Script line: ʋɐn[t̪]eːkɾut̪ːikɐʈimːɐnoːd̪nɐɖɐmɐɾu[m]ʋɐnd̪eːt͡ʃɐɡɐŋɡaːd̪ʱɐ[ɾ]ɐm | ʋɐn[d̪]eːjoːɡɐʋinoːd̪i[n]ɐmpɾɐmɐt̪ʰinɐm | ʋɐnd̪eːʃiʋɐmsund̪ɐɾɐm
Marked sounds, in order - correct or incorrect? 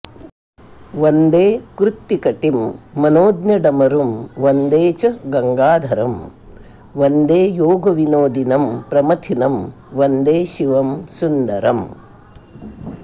incorrect, correct, correct, correct, correct

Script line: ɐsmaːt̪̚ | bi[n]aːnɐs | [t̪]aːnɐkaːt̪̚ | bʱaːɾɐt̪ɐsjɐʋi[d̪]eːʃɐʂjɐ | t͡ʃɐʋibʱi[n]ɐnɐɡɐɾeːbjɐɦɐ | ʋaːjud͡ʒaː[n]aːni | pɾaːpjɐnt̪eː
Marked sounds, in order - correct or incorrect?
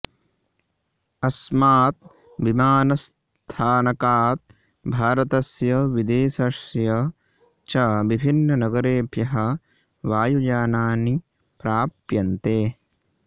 incorrect, incorrect, correct, incorrect, correct

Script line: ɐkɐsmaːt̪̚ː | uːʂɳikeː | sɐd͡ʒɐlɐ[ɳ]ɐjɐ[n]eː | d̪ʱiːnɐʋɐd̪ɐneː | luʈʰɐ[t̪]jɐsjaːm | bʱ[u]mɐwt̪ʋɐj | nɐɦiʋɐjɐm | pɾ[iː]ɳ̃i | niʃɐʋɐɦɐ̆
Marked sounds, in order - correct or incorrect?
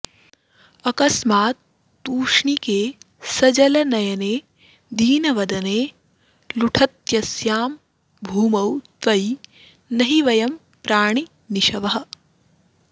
incorrect, correct, correct, incorrect, incorrect

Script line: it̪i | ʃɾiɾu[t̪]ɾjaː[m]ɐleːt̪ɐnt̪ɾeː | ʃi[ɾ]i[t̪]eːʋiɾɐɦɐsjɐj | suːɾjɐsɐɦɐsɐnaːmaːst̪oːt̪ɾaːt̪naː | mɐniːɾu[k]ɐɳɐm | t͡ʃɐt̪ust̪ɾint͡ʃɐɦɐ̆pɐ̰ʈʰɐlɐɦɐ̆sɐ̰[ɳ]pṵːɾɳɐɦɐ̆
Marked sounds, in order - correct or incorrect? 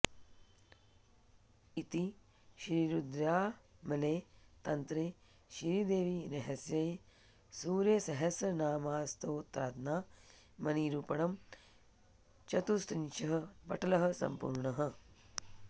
incorrect, correct, correct, incorrect, incorrect, incorrect

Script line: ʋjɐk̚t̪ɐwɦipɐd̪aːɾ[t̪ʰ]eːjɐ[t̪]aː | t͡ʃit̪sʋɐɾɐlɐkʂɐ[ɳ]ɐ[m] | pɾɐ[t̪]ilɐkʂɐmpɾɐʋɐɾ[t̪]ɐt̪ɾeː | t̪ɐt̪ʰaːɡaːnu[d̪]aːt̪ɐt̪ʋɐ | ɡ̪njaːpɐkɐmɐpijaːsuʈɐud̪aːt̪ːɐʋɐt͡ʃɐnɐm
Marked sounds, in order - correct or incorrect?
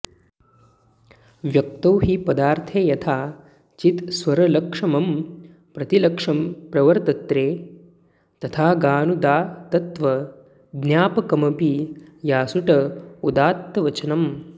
correct, incorrect, incorrect, correct, correct, correct, correct

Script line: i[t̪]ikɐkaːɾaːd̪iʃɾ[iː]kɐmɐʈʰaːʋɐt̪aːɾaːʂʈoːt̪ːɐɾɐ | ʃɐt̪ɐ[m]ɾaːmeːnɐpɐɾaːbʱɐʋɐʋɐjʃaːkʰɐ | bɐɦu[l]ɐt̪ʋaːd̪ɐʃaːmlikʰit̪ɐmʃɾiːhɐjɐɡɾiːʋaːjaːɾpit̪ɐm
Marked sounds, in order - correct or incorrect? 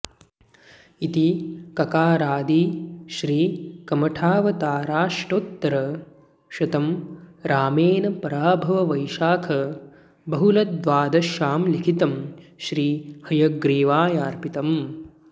correct, correct, correct, correct

